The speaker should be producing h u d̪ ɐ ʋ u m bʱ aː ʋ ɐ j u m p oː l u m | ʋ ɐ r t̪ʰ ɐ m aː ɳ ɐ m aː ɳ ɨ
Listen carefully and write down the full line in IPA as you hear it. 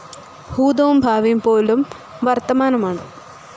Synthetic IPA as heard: h uː d̪ ɐ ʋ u m bʱ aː ʋ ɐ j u m p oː l u m | ʋ ɐ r t̪ ɐ m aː n ɐ m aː ɳ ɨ